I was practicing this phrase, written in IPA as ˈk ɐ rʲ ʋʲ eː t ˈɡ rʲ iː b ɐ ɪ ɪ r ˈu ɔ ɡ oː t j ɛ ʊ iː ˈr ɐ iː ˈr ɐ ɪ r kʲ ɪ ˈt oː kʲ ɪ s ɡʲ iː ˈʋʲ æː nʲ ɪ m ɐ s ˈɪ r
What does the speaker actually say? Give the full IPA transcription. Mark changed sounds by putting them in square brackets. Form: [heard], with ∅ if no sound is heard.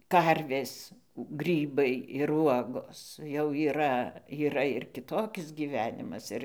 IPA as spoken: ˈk ɐ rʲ ʋʲ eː [s] ˈɡ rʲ iː b ɐ ɪ ɪ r ˈu ɔ ɡ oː [s] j ɛ ʊ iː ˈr ɐ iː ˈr ɐ ɪ r kʲ ɪ ˈt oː kʲ ɪ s ɡʲ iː ˈʋʲ æː nʲ ɪ m ɐ s ˈɪ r